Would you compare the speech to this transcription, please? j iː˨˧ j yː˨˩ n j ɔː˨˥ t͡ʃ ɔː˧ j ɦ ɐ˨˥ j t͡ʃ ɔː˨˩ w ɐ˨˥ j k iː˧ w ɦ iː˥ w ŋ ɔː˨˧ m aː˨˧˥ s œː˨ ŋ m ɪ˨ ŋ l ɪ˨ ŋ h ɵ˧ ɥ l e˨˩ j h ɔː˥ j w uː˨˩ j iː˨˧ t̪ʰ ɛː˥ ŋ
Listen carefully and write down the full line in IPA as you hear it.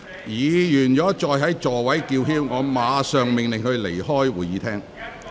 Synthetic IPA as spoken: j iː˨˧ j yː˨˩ n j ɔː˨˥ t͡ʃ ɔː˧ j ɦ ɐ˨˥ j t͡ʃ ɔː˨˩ w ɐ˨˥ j k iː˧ w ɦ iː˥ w ŋ ɔː˨˧ m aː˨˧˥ s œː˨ ŋ m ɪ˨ ŋ l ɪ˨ ŋ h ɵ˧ ɥ l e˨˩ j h ɔː˥ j w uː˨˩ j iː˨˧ t̪ʰ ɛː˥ ŋ